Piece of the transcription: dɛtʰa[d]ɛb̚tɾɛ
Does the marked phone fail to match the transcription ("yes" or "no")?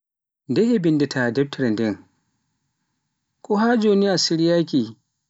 no